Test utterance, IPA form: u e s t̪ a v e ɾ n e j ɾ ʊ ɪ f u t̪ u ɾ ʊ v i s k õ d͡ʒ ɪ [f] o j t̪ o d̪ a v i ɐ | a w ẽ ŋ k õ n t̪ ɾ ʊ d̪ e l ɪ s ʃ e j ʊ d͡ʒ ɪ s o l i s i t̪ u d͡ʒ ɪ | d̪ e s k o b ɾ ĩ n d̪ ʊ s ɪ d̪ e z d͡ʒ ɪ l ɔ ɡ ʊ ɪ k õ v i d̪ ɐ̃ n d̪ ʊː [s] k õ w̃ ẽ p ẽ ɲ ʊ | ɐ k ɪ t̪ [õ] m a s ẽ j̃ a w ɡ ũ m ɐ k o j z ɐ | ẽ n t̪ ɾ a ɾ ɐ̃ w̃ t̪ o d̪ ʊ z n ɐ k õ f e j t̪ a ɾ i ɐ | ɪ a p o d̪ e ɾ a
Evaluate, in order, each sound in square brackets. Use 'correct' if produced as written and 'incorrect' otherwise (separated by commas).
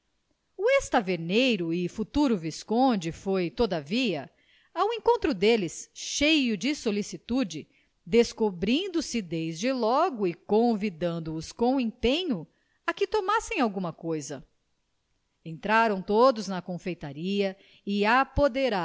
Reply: correct, correct, incorrect